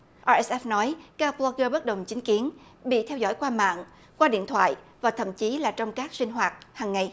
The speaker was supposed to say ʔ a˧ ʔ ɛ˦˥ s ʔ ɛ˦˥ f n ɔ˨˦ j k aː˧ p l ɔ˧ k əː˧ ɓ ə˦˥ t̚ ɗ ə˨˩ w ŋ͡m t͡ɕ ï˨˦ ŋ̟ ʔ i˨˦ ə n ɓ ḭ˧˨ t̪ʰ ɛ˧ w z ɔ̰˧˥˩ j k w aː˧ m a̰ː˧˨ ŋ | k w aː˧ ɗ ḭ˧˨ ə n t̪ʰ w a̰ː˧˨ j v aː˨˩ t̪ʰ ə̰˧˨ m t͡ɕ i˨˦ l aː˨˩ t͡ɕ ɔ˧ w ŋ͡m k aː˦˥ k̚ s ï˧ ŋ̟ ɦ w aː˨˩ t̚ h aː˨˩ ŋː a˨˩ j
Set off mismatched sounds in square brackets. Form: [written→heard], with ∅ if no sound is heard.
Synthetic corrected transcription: ʔ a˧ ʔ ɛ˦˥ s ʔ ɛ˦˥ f n ɔ˨˦ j k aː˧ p l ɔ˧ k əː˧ ɓ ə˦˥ t̚ ɗ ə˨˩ w ŋ͡m t͡ɕ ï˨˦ ŋ̟ [ʔ→k] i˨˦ ə n ɓ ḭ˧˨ t̪ʰ ɛ˧ w z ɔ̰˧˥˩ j k w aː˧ m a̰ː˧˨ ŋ | k w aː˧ ɗ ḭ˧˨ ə n t̪ʰ w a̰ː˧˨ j v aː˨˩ t̪ʰ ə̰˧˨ m t͡ɕ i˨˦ l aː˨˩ t͡ɕ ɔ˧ w ŋ͡m k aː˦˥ k̚ s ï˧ ŋ̟ ɦ w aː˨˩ t̚ h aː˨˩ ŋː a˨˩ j